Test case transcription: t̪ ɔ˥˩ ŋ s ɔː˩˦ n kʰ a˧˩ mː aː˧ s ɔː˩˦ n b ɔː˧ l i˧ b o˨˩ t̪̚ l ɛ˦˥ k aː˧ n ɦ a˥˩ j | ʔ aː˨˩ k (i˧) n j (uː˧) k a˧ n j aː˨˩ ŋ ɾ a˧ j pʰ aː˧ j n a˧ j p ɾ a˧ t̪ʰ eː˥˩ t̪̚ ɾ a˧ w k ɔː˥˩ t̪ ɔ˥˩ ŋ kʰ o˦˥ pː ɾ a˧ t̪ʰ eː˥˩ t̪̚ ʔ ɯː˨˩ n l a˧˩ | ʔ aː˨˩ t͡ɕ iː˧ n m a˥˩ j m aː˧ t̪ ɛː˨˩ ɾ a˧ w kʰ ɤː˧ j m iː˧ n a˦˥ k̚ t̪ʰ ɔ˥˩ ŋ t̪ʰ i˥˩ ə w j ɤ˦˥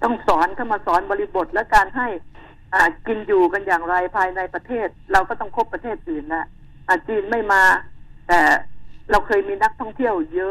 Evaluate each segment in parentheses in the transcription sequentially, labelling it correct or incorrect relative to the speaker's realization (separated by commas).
correct, incorrect